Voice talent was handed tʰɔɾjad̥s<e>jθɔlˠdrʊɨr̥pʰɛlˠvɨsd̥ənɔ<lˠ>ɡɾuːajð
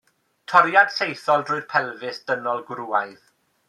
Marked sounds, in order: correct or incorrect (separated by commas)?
correct, correct